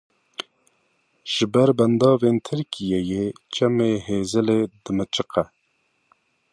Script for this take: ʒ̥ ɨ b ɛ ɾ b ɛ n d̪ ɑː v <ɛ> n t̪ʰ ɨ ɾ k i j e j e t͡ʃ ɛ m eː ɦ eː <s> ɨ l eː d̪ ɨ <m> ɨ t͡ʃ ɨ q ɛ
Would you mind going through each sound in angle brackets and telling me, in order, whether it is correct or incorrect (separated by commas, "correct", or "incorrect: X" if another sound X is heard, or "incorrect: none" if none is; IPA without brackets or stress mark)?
incorrect: e, incorrect: z, correct